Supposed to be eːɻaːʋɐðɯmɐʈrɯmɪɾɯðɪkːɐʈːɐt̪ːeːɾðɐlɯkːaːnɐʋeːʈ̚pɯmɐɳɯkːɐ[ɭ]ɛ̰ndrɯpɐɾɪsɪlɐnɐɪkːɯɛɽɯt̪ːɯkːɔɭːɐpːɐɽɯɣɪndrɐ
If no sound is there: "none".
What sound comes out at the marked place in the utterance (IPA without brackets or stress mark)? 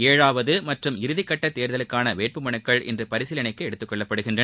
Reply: ɭ